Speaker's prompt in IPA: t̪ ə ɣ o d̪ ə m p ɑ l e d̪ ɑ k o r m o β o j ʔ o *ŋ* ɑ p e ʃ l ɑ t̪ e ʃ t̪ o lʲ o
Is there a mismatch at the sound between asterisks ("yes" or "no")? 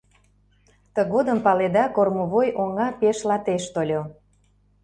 no